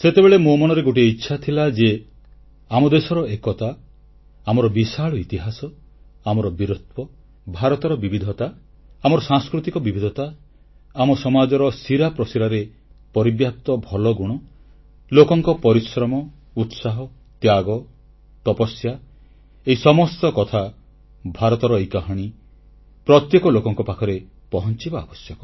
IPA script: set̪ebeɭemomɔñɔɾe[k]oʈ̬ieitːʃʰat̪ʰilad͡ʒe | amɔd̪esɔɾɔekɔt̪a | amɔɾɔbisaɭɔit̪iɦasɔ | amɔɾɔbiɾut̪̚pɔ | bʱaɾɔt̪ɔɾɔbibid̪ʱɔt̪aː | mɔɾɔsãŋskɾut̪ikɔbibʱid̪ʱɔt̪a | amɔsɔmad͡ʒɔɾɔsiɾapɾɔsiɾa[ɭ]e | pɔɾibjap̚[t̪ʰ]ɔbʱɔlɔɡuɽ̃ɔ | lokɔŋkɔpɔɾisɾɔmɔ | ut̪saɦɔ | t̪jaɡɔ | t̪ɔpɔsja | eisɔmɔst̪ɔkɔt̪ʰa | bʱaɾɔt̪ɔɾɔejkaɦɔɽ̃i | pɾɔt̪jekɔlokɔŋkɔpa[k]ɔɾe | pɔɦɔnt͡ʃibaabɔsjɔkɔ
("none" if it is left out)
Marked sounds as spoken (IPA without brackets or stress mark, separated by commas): ɡ, ɾ, t̪, kʰ